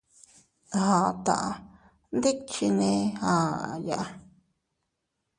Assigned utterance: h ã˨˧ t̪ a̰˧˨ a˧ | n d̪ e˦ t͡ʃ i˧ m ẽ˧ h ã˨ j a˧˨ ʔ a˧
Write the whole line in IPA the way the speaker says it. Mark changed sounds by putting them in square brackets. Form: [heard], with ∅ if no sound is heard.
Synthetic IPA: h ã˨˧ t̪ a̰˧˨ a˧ | n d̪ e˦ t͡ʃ i˧ [n] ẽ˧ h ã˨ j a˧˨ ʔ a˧

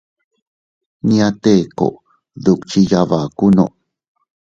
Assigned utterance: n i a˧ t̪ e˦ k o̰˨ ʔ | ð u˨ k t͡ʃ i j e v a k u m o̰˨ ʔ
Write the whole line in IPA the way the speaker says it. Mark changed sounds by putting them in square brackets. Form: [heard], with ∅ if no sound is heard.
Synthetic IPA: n i a˧ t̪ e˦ k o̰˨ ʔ | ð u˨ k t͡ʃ i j [a] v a k u [n] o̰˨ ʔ

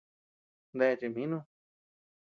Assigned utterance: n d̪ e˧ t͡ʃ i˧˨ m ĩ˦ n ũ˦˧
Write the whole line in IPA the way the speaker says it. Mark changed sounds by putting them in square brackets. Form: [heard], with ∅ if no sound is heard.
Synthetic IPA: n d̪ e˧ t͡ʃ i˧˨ m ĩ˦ n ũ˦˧

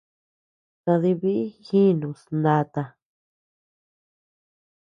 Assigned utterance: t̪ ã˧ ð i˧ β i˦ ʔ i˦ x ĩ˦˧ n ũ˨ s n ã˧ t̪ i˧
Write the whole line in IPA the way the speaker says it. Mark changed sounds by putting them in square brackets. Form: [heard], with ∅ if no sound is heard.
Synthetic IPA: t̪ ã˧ ð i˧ β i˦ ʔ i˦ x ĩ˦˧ n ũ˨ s n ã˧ t̪ [a˧]

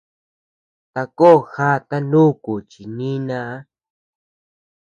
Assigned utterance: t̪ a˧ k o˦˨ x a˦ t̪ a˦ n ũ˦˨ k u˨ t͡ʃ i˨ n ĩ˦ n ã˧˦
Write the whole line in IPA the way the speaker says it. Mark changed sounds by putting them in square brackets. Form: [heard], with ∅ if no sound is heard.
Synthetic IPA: t̪ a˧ k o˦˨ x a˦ t̪ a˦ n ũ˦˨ k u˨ t͡ʃ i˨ n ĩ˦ n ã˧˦

